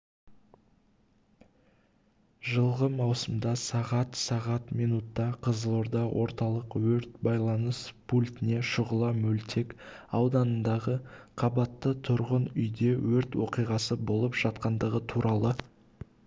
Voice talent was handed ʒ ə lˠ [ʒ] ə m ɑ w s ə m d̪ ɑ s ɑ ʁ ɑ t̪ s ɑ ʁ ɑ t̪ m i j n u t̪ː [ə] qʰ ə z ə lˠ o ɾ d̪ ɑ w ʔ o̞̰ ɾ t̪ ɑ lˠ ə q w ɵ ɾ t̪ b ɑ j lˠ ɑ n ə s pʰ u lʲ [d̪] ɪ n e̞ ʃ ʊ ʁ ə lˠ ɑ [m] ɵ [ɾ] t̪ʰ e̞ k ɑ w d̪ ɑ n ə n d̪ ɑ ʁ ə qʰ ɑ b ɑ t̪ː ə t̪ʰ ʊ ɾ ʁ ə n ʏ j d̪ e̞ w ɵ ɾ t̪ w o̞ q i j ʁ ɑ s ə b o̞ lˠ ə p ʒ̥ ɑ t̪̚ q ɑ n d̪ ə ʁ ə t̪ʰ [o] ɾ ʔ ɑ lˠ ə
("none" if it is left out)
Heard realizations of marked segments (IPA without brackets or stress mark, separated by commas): ʁ, ɑ, t̪, m, l, u